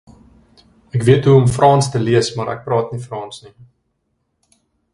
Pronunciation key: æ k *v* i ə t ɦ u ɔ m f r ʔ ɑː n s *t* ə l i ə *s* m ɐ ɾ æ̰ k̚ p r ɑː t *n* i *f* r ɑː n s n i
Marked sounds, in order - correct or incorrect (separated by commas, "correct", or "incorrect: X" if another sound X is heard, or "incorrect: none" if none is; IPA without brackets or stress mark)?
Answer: correct, correct, correct, correct, correct